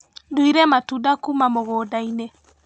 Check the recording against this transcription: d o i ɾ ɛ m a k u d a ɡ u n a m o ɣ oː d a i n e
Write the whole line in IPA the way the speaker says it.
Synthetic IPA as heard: d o i ɾ ɛ m a t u d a k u m a m o ɣ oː d a i n e